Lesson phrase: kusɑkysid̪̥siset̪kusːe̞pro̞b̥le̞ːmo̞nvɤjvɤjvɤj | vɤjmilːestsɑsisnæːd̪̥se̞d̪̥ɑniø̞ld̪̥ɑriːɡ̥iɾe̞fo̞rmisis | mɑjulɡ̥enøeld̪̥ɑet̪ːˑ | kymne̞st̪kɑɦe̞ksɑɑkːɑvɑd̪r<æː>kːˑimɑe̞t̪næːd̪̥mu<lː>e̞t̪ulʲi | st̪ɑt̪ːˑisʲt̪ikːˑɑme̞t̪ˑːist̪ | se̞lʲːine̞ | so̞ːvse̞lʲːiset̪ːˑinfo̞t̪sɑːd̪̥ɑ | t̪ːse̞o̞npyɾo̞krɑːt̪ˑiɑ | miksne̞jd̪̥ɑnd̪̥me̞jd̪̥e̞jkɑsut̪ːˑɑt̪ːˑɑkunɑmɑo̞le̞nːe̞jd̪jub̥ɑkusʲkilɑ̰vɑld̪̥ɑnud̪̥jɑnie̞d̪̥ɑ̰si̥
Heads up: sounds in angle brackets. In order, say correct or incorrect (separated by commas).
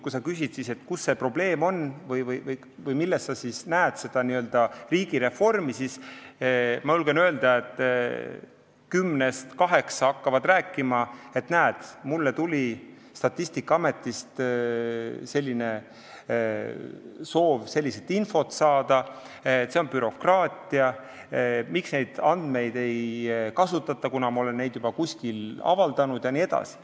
correct, correct